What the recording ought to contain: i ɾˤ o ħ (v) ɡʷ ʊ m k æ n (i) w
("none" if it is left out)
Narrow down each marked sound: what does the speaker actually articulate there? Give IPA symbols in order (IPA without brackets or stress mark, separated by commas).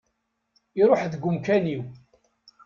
ð, i